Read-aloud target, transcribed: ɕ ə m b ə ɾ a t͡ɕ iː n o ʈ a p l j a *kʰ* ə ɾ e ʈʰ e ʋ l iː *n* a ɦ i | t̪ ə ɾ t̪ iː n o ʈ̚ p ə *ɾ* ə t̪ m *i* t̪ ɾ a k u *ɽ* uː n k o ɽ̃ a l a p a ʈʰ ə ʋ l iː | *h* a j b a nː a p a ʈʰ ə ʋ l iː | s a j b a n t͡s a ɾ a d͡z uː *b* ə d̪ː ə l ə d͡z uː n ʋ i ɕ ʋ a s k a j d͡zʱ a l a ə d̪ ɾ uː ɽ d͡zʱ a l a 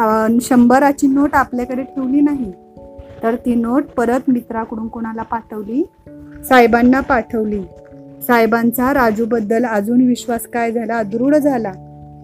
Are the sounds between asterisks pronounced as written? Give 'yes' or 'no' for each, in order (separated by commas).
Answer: no, yes, yes, yes, yes, no, yes